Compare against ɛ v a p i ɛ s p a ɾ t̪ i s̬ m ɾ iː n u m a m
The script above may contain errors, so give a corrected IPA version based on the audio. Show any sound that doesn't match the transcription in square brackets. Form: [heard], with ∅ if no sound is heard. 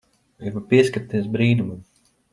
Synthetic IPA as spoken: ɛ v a p i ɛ s [k] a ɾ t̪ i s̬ [b] ɾ iː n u m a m